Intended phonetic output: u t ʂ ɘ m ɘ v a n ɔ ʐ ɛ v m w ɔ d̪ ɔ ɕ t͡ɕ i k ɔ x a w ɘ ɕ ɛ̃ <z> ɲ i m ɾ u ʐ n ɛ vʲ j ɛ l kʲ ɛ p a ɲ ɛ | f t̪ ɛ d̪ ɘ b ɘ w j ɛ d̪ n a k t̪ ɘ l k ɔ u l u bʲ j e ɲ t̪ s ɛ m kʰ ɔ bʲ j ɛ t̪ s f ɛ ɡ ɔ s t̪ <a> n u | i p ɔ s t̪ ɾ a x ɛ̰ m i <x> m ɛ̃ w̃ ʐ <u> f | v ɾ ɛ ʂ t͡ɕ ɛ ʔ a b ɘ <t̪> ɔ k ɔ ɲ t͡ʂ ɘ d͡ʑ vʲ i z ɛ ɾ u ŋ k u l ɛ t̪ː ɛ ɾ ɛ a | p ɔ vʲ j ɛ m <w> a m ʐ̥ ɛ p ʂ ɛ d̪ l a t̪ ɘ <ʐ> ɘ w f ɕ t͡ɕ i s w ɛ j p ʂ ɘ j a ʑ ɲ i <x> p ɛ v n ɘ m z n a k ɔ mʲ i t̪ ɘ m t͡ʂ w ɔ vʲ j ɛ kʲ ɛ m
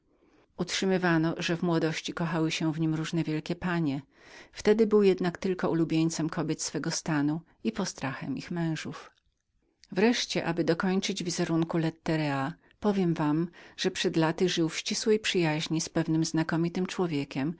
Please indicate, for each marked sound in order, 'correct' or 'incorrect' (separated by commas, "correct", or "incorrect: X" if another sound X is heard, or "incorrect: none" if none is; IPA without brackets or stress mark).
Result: incorrect: v, correct, correct, correct, incorrect: d̪, incorrect: v, correct, incorrect: s